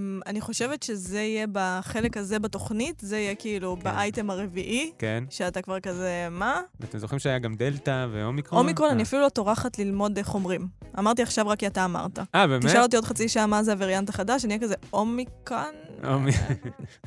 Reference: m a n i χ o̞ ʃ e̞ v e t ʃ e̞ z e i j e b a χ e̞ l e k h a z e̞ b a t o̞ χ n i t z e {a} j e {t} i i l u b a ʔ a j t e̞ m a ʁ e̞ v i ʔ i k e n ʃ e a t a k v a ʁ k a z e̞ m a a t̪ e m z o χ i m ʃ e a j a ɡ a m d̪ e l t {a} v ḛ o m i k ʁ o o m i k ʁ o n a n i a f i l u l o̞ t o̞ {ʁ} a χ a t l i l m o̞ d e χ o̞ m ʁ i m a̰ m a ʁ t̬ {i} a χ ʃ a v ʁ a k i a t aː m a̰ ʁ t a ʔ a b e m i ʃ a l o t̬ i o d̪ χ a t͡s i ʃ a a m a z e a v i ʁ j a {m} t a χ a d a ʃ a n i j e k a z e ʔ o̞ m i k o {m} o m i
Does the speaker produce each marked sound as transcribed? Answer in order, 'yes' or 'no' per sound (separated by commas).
no, no, yes, yes, yes, no, no